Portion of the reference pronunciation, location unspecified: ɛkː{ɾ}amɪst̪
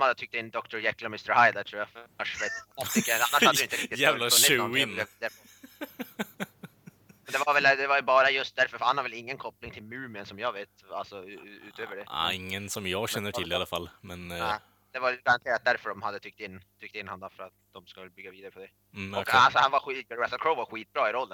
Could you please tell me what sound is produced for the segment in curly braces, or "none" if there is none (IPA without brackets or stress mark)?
l